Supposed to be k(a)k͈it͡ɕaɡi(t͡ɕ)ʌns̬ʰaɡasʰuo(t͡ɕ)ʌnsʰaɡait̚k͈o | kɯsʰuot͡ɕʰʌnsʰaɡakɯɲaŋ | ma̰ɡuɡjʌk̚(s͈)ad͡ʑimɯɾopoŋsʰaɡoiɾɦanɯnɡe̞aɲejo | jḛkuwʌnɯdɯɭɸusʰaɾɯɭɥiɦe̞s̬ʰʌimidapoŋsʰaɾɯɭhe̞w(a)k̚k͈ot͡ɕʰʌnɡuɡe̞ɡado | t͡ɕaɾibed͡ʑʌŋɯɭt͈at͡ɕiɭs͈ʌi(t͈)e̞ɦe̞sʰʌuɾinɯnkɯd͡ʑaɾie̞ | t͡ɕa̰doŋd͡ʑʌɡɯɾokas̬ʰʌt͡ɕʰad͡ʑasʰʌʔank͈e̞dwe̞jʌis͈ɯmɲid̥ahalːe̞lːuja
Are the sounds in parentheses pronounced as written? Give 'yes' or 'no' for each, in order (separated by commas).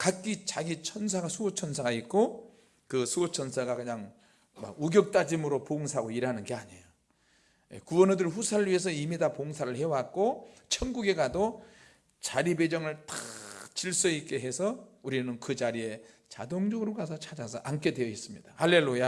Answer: yes, no, no, no, yes, no